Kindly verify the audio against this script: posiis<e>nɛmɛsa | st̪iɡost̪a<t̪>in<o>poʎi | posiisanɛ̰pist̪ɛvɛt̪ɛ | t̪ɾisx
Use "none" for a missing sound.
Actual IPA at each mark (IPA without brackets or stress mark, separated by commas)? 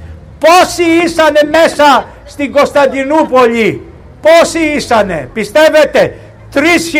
a, d̪, u